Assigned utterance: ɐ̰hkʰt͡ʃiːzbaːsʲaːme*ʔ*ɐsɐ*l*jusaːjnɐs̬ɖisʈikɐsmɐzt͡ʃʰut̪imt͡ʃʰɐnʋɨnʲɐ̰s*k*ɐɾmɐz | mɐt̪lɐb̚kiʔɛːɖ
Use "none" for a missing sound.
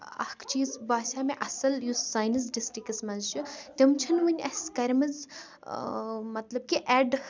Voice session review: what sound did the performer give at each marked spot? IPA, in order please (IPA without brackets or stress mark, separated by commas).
ʔ, l, k